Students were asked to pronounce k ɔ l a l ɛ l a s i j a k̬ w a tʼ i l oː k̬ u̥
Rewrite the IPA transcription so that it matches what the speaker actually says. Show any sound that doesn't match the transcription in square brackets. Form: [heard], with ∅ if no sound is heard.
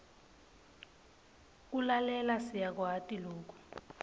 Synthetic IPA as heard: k [u] l a l ɛ l a s i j a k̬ w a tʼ i l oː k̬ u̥